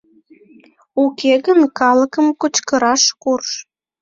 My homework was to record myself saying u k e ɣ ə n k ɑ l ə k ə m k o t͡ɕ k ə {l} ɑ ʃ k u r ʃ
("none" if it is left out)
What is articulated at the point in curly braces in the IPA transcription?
ɾ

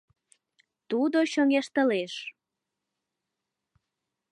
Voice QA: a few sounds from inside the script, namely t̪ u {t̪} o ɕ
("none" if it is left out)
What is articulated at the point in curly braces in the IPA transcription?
d̪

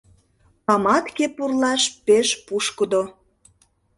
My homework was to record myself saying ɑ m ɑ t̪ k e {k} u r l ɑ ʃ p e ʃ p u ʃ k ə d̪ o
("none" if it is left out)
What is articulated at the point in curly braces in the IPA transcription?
p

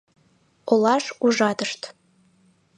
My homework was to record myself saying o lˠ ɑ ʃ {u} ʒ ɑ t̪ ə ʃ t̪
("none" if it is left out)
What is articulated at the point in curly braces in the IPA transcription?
u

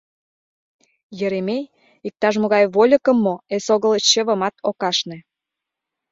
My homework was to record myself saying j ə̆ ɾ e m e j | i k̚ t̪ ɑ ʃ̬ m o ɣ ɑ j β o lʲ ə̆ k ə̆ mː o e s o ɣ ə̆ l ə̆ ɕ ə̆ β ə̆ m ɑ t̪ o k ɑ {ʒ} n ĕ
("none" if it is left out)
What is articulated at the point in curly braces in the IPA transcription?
ʃ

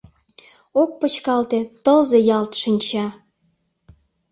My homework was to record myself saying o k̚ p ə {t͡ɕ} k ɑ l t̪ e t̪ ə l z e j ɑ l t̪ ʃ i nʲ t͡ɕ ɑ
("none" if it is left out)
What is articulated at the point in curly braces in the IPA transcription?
t͡ɕ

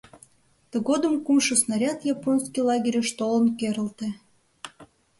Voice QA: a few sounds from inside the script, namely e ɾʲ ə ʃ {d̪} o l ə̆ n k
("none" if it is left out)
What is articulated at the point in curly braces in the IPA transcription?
t̪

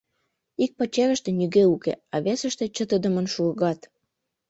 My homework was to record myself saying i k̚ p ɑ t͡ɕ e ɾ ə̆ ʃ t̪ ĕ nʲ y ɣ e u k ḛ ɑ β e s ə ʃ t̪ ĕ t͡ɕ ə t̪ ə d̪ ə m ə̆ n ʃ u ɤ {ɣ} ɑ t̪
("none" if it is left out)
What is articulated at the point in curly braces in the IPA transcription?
ɣ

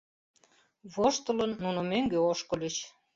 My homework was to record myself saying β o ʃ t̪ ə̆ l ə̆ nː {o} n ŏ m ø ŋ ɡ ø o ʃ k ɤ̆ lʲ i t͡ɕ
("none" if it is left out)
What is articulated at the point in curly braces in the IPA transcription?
u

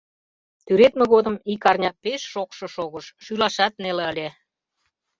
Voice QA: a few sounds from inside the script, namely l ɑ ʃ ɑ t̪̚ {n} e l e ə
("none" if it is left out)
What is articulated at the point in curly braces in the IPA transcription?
n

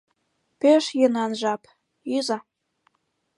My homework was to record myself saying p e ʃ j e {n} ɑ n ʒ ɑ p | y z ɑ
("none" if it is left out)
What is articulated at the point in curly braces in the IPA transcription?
n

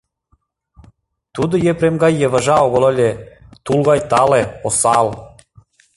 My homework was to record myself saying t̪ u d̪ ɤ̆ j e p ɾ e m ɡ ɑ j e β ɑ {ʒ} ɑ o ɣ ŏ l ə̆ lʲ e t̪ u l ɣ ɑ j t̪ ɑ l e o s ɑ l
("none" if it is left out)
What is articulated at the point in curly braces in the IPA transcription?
ʒ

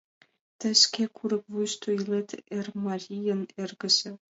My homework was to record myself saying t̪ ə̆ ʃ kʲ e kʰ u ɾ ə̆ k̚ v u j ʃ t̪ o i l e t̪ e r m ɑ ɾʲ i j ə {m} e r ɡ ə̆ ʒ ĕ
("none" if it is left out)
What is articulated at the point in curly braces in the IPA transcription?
n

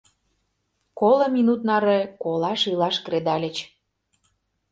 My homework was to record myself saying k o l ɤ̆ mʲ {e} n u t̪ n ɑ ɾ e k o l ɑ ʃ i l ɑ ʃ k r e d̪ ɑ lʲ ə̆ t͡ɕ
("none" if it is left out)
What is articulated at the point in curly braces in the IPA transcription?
i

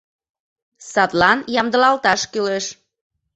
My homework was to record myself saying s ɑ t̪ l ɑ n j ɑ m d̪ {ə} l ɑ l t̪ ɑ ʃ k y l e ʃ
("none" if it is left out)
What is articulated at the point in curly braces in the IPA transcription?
ə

